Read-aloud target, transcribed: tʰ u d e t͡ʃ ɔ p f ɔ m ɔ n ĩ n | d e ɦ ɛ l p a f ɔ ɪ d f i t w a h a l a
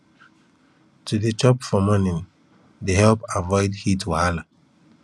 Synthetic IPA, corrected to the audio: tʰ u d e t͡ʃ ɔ p f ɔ m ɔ n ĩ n | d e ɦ ɛ l p a v ɔ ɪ d h i t w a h a l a